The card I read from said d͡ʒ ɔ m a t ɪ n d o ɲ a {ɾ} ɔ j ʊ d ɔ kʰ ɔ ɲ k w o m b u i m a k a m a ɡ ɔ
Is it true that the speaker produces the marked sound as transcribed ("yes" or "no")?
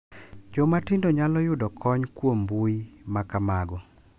no